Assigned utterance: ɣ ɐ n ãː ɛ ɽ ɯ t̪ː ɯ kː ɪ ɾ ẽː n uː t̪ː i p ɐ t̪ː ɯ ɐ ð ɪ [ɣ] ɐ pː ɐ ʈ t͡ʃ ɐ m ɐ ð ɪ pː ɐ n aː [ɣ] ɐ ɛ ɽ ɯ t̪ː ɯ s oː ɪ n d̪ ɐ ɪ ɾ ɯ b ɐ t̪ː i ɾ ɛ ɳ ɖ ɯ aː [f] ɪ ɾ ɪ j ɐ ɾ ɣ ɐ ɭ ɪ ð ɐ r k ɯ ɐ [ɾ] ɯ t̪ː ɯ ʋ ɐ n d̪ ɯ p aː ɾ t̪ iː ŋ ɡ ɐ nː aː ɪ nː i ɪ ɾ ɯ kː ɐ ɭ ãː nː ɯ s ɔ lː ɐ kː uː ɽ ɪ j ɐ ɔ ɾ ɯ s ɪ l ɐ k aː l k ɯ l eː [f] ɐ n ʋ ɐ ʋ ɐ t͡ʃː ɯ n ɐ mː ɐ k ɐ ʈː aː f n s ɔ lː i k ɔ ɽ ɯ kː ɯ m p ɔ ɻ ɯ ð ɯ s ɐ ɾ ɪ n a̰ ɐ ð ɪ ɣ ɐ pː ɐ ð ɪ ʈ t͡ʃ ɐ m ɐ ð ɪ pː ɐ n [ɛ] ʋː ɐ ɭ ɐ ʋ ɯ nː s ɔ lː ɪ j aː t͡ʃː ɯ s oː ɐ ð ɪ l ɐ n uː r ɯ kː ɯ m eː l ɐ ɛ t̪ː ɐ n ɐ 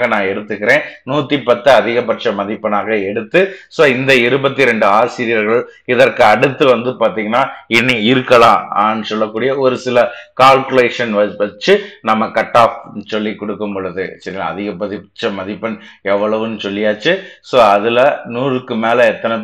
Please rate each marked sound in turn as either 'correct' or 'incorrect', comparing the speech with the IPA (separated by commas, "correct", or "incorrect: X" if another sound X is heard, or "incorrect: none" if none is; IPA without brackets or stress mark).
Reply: correct, correct, incorrect: s, incorrect: ɽ, incorrect: ʂ, correct